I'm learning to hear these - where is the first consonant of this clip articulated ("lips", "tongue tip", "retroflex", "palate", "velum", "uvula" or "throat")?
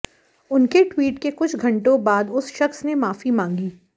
tongue tip